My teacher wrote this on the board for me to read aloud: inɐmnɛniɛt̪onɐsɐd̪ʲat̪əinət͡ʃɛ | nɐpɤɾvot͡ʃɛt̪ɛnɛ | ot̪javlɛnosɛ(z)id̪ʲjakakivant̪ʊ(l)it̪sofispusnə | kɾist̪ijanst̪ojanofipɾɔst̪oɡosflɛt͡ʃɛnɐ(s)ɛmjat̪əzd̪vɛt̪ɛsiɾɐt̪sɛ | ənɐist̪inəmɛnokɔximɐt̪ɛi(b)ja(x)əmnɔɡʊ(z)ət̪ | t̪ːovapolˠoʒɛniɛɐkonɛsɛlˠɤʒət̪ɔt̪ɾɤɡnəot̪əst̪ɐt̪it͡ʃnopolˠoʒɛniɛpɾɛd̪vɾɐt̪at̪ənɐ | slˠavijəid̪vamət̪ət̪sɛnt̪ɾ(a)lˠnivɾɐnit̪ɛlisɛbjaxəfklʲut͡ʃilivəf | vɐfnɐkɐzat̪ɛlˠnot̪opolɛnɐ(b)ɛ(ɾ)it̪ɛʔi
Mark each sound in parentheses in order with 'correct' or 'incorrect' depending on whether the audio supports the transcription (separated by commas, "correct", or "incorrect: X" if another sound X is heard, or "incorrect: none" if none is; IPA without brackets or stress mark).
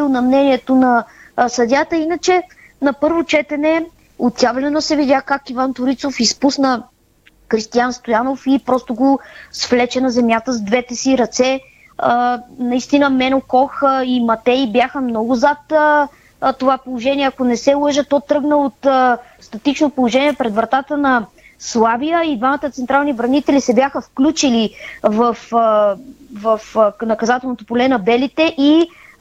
incorrect: v, incorrect: ɾ, incorrect: z, correct, correct, correct, correct, correct, incorrect: l